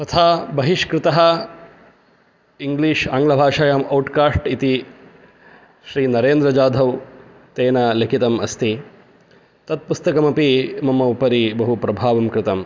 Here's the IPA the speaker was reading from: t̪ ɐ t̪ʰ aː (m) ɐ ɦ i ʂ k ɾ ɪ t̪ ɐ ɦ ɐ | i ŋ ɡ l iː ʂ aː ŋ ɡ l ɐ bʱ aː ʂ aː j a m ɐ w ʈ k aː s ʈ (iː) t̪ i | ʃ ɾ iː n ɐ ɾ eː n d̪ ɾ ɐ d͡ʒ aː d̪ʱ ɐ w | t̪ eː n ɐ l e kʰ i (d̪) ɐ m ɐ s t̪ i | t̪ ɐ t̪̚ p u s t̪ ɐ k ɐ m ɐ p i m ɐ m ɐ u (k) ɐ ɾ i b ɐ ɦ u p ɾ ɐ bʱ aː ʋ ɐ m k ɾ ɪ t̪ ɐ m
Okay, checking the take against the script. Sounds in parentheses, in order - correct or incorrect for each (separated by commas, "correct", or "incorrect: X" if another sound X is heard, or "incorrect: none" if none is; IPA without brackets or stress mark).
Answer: incorrect: b, incorrect: i, incorrect: t̪, incorrect: p